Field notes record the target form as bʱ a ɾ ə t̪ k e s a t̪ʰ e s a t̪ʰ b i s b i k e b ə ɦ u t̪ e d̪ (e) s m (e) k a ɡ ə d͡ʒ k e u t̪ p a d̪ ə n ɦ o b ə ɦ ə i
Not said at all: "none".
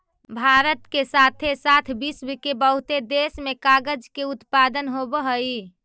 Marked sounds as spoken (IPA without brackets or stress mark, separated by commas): e, e